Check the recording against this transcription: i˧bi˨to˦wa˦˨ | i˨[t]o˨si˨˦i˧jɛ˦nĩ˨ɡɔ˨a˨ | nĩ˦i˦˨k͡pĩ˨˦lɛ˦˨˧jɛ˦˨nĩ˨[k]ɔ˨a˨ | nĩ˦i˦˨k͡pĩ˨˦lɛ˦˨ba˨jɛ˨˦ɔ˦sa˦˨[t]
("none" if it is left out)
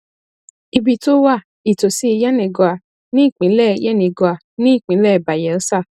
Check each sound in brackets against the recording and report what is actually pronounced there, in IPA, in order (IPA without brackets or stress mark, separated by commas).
t, ɡ, none